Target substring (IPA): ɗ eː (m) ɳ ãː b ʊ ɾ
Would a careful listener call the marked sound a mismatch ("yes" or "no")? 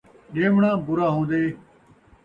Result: no